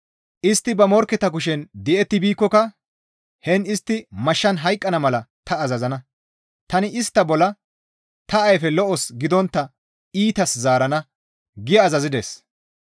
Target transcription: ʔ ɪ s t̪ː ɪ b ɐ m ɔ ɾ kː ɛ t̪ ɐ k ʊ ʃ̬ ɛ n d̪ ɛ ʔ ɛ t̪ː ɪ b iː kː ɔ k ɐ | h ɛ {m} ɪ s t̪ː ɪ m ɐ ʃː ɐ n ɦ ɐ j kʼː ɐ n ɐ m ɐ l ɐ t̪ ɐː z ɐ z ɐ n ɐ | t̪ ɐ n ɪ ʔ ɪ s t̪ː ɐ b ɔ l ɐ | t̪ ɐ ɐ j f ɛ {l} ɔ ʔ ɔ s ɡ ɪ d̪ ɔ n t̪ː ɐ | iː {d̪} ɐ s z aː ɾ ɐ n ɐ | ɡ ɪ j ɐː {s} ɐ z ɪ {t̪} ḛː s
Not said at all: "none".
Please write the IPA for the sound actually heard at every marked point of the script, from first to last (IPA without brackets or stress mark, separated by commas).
n, l, t̪, z, d̪